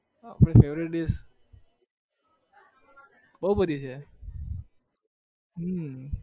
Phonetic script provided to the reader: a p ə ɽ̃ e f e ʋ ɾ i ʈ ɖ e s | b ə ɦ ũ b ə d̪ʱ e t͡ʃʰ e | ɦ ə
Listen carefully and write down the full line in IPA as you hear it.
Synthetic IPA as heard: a p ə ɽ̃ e f e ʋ ɾ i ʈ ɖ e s | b ə ɦ u b ə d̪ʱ i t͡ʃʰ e | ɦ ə